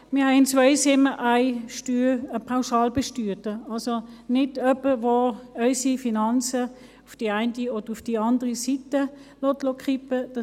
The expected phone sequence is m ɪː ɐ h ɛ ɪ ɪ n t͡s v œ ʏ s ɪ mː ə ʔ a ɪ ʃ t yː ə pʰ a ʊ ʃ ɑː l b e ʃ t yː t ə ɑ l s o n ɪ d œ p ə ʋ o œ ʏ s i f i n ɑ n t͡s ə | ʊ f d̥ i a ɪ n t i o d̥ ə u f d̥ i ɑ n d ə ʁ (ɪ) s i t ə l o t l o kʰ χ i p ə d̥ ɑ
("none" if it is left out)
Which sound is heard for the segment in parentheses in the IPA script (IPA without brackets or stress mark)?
i